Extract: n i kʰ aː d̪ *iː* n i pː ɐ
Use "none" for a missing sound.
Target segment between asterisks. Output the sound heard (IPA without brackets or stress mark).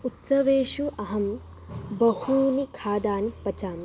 aː